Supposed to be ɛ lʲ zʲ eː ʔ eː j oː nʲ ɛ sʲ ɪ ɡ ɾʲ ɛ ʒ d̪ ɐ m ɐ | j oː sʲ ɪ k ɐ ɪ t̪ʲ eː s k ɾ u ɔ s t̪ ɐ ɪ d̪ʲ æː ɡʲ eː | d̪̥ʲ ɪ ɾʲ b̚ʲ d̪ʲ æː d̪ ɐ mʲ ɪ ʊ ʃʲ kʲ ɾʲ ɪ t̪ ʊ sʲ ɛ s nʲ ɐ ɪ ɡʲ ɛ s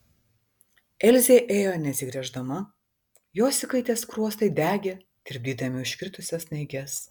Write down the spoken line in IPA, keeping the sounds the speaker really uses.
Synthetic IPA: ɛ lʲ zʲ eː ʔ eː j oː nʲ ɛ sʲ ɪ ɡ ɾʲ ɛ ʒ d̪ ɐ m ɐ | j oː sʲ ɪ k ɐ ɪ t̪ʲ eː s k ɾ u ɔ s t̪ ɐ ɪ d̪ʲ æː ɡʲ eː | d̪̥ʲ ɪ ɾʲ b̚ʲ d̪ʲ iː d̪ ɐ mʲ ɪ ʊ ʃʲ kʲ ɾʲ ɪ t̪ ʊ sʲ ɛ s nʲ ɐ ɪ ɡʲ ɛ s